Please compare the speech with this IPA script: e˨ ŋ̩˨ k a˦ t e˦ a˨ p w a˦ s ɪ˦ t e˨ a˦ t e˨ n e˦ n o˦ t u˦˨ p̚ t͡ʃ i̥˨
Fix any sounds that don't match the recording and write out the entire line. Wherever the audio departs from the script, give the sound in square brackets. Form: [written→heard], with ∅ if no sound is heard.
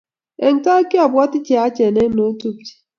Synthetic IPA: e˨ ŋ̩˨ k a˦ [t→k] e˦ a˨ [p→b] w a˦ [s→t] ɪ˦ [t→t͡ʃ] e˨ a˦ [t→t͡ʃ] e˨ n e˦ n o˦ t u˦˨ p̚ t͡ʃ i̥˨